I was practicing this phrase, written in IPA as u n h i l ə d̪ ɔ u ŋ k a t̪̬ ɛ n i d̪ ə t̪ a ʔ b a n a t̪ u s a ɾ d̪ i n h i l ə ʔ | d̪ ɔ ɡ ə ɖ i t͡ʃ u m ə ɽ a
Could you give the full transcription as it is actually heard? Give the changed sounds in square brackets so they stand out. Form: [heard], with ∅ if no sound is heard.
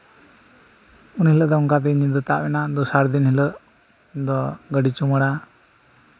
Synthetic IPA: u n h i l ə d̪ ɔ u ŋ k a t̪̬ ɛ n i d̪ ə t̪ a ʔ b [ɛ] n a [d̪] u s a ɾ d̪ i n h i l ə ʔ | d̪ ɔ ɡ ə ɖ i t͡ʃ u m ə ɽ a